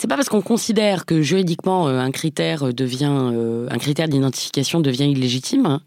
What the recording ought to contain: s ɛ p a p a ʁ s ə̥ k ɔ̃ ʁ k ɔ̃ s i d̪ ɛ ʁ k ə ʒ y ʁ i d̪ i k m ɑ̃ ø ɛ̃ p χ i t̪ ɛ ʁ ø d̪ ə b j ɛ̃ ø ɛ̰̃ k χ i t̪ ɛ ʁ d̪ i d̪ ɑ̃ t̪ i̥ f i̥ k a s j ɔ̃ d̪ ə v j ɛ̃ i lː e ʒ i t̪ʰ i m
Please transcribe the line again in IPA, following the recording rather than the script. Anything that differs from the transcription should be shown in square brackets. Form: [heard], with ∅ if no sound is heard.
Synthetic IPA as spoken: s ɛ p a p a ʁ s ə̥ k ɔ̃ [∅] k ɔ̃ s i d̪ ɛ ʁ k ə ʒ y ʁ i d̪ i k m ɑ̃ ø ɛ̃ [k] χ i t̪ ɛ ʁ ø d̪ ə [v] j ɛ̃ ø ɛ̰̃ k χ i t̪ ɛ ʁ d̪ i d̪ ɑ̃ t̪ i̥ f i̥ k a s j ɔ̃ d̪ ə v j ɛ̃ i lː e ʒ i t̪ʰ i m